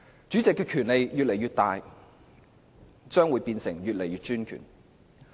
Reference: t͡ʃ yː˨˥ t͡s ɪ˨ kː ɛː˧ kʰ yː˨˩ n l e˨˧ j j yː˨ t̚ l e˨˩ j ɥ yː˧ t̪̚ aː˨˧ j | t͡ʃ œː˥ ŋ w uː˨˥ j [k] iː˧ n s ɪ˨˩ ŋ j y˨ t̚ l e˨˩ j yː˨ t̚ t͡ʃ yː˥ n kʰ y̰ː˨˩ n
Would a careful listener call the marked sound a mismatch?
yes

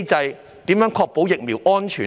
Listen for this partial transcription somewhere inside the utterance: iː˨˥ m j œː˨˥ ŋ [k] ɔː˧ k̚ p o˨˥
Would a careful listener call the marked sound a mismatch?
yes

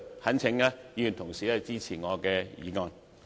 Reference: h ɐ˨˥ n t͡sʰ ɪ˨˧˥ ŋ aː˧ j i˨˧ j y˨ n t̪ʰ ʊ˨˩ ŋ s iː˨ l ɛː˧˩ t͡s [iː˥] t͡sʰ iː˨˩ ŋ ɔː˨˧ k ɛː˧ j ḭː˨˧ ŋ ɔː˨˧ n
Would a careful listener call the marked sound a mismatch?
no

